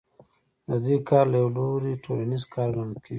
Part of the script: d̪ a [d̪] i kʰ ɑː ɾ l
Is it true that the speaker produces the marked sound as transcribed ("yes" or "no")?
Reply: yes